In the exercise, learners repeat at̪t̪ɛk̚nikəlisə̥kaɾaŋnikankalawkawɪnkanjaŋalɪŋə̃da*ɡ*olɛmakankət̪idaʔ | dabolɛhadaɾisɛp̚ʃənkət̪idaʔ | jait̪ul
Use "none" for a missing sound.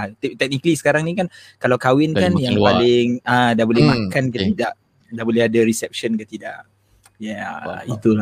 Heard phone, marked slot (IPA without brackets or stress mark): b